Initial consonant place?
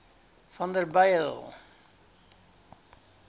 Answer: labial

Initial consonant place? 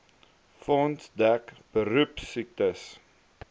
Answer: labial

